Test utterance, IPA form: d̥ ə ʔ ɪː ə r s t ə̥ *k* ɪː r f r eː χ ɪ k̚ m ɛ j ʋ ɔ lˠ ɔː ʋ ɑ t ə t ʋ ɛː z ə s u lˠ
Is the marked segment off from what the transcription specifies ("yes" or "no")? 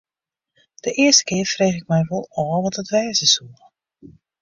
no